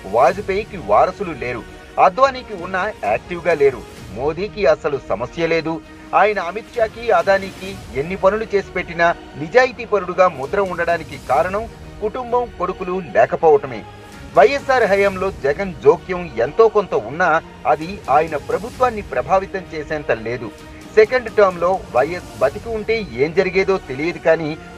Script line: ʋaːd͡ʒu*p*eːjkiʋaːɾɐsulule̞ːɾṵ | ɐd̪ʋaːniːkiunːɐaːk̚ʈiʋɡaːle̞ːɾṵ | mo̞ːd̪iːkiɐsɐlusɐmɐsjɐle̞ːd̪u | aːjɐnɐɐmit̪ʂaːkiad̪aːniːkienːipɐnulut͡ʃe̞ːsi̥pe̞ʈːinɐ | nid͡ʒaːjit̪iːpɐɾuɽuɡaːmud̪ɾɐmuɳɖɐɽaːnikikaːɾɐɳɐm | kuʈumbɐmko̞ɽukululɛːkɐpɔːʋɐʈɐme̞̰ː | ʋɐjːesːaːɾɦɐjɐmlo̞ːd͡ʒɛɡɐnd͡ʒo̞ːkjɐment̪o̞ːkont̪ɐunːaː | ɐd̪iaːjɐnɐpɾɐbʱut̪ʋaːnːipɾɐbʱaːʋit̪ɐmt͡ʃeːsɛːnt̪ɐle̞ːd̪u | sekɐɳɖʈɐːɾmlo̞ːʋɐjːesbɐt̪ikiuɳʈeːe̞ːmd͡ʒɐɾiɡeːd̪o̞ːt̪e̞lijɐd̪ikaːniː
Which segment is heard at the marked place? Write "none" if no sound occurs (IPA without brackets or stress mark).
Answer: p